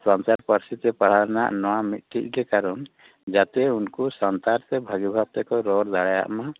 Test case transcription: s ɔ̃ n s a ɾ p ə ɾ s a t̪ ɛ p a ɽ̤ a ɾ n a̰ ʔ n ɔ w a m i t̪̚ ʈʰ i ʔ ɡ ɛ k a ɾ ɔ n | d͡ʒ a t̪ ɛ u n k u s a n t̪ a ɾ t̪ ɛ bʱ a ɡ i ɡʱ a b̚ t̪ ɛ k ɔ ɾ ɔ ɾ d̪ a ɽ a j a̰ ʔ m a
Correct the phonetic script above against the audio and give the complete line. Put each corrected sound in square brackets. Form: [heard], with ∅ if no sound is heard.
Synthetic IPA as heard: s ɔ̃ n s a ɾ p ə ɾ s [i] t̪ ɛ p a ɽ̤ a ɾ n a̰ ʔ n ɔ w a m i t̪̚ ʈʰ i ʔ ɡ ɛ k a ɾ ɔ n | d͡ʒ a t̪ ɛ u n k u s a n t̪ a ɾ t̪ ɛ bʱ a ɡ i [bʱ] a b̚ t̪ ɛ k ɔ ɾ ɔ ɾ d̪ a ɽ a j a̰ ʔ m a

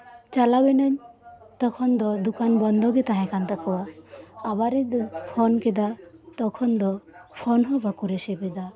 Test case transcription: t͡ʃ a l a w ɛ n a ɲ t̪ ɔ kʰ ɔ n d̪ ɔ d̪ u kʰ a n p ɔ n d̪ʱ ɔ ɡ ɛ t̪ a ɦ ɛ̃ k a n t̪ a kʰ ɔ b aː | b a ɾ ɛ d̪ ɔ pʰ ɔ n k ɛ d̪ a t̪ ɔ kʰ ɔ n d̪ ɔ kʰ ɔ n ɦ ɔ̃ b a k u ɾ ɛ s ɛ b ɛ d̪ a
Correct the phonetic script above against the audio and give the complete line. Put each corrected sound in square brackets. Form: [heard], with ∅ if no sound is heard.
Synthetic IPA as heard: t͡ʃ a l a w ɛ n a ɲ t̪ ɔ kʰ ɔ n d̪ ɔ d̪ u [k] a n [b] ɔ n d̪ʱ ɔ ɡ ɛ t̪ a ɦ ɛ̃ k a n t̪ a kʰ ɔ [w] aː | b a ɾ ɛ d̪ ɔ pʰ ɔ n k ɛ d̪ a t̪ ɔ kʰ ɔ n d̪ ɔ [pʰ] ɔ n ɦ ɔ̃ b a k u ɾ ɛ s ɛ b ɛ d̪ a

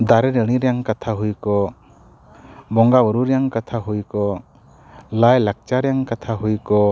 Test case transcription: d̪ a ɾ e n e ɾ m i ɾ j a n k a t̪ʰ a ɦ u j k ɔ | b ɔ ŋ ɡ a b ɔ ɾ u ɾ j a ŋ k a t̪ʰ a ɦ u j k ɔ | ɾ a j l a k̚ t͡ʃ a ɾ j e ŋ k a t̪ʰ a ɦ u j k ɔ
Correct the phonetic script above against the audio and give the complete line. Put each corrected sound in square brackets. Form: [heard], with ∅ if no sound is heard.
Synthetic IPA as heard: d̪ a ɾ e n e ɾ [n] i ɾ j a [ŋ] k a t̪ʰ a ɦ u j k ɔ | b ɔ ŋ ɡ a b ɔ ɾ u ɾ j a ŋ k a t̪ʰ a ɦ u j k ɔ | [l] a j l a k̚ t͡ʃ a ɾ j [a] ŋ k a t̪ʰ a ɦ u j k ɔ

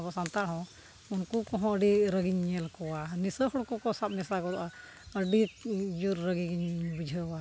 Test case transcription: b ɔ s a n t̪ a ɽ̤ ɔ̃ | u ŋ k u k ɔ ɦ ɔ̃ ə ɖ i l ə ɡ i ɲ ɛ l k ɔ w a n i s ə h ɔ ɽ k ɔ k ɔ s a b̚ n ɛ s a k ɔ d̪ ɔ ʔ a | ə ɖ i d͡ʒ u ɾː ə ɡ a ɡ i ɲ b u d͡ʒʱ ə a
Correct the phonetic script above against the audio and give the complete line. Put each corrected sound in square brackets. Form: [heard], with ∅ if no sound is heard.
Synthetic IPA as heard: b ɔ s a n t̪ a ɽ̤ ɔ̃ | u [n] k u k ɔ ɦ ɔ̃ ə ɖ i [ɾ] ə ɡ i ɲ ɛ l k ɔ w a n i s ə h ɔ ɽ k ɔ k ɔ s a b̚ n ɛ s a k ɔ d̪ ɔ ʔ a | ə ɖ i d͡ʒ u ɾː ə ɡ [i] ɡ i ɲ b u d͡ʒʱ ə a

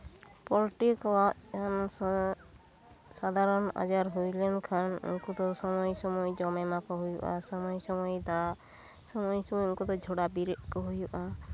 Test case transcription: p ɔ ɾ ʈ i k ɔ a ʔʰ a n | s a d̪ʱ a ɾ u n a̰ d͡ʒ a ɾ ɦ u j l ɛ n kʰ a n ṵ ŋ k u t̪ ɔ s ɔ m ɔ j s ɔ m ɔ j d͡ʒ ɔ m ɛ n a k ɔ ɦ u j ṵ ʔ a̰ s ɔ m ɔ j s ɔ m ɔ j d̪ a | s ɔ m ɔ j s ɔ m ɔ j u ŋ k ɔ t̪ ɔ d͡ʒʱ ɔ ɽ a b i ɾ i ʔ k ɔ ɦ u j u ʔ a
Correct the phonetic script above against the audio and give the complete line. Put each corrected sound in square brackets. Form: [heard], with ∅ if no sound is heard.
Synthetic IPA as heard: p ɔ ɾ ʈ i k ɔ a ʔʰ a n | s a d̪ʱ a ɾ [ɔ] n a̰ d͡ʒ a ɾ ɦ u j l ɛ n kʰ a n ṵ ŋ k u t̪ ɔ s ɔ m ɔ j s ɔ m ɔ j d͡ʒ ɔ m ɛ [m] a k ɔ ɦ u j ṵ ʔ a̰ s ɔ m ɔ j s ɔ m ɔ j d̪ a | s ɔ m ɔ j s ɔ m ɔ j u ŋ k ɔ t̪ ɔ d͡ʒʱ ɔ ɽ a b i ɾ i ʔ k ɔ ɦ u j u ʔ a

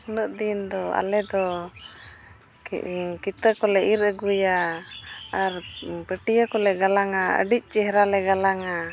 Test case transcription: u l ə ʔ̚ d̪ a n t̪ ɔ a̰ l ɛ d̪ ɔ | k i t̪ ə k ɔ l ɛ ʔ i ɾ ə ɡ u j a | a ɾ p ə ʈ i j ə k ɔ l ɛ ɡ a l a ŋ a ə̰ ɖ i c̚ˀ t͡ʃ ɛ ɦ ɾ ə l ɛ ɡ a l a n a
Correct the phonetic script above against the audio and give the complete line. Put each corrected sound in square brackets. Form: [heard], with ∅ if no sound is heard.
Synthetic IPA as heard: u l ə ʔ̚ d̪ [i] n [d̪] ɔ a̰ l ɛ d̪ ɔ | k i t̪ ə k ɔ l ɛ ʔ i ɾ ə ɡ u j a | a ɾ p ə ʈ i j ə k ɔ l ɛ ɡ a l a ŋ a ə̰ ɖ i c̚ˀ t͡ʃ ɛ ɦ ɾ [a] l ɛ ɡ a l a [ŋ] a

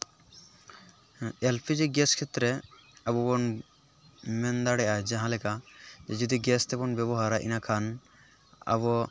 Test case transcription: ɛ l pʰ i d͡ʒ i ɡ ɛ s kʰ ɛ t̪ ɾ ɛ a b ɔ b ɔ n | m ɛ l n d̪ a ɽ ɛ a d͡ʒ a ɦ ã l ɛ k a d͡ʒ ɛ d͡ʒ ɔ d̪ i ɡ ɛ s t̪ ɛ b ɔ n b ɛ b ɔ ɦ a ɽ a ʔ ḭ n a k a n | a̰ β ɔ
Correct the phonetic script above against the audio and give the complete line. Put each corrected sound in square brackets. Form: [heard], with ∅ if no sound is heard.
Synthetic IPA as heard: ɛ l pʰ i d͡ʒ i ɡ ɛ s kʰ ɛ t̪ ɾ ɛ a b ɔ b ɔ n | m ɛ [∅] n d̪ a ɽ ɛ a d͡ʒ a ɦ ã l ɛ k a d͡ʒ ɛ d͡ʒ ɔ d̪ i ɡ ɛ s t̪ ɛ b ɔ n b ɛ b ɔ ɦ a [ɾ] a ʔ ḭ n a [kʰ] a n | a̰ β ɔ

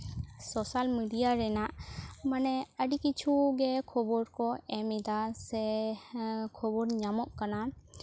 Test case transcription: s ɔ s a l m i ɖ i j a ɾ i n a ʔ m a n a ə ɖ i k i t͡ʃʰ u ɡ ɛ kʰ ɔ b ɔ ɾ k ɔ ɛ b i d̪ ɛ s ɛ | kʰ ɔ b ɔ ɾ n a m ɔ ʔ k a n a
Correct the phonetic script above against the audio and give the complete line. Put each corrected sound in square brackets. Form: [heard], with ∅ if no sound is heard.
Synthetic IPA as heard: s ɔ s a l m i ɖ i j a ɾ [ɛ] n a ʔ m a n [ɛ] ə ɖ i k i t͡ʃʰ u ɡ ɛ kʰ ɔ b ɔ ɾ k ɔ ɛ [m] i d̪ [a] s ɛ | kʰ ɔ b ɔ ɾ [ɲ] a m ɔ ʔ k a n a

